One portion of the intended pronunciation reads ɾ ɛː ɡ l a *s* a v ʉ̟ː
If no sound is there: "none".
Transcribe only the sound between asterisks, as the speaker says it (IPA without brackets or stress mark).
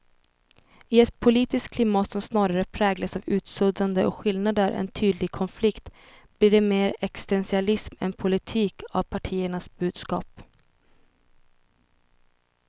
s